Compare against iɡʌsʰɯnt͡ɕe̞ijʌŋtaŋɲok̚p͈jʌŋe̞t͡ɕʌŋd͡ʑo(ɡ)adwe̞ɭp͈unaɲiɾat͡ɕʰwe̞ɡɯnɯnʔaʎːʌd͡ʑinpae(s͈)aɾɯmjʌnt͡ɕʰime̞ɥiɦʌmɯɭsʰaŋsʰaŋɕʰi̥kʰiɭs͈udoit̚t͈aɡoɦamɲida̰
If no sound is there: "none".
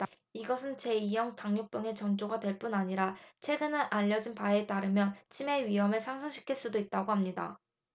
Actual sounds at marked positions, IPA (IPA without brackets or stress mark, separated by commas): ɡ, t͈